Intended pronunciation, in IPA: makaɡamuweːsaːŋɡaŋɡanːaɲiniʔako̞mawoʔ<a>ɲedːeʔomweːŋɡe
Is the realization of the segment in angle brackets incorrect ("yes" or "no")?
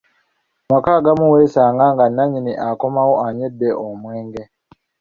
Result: no